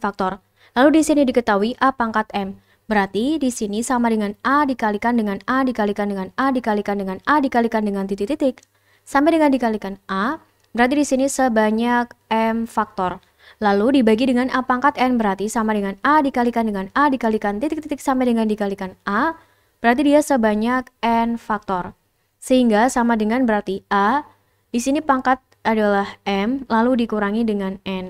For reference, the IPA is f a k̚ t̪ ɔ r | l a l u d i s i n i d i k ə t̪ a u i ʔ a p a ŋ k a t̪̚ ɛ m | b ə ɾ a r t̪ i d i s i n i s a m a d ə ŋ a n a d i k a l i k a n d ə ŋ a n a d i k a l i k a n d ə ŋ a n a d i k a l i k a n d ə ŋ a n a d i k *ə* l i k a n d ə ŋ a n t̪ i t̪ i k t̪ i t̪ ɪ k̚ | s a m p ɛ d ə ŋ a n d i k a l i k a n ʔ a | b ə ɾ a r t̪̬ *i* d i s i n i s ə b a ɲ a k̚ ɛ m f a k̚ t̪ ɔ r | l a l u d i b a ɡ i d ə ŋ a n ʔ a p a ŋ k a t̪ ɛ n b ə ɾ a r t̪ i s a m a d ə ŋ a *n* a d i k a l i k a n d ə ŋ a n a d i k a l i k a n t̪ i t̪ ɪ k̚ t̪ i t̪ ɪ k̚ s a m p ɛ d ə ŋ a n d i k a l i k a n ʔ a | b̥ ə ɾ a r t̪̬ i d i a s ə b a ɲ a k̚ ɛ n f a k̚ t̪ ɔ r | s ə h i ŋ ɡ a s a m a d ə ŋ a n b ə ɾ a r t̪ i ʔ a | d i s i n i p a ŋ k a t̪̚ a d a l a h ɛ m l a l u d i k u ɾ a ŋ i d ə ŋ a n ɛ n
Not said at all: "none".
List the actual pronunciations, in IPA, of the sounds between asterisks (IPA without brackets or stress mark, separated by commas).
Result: a, i, n